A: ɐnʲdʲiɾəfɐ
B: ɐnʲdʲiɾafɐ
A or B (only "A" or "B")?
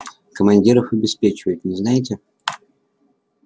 A